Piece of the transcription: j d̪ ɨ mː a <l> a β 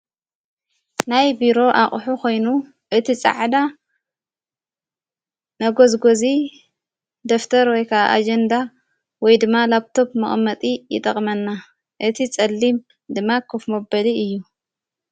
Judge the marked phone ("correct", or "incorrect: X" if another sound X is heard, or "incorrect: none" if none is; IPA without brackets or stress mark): correct